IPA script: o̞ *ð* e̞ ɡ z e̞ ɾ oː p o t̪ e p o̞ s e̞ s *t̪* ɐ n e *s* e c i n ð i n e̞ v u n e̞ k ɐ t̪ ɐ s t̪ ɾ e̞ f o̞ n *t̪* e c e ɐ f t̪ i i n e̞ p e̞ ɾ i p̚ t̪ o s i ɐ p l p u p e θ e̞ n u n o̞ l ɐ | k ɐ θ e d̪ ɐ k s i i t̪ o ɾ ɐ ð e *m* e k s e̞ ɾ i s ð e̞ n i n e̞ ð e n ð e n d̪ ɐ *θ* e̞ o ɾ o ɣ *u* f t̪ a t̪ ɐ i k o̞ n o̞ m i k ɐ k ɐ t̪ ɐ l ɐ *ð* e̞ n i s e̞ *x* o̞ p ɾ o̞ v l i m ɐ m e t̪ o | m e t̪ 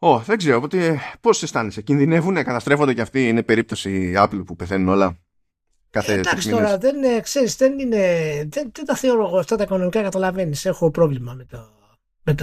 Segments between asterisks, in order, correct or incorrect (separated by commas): correct, correct, correct, incorrect, incorrect, correct, incorrect, incorrect, correct